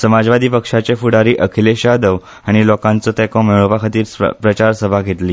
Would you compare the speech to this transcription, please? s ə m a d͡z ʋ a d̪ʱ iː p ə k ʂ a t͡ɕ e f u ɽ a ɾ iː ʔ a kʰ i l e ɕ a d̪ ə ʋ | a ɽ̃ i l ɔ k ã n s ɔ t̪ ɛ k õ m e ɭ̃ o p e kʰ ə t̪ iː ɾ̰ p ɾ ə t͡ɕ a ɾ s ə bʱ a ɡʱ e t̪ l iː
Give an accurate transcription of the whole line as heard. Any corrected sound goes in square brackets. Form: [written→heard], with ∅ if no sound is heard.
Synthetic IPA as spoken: s ə m a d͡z ʋ a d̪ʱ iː p ə k ʂ a t͡ɕ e f u ɽ a ɾ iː ʔ [a→ə] kʰ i l e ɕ a d̪ ə ʋ | a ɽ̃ i l ɔ k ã n [s→t͡s] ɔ t̪ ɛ k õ m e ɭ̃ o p [e→a] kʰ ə t̪ iː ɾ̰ p ɾ ə t͡ɕ a ɾ s ə bʱ a ɡʱ e t̪ l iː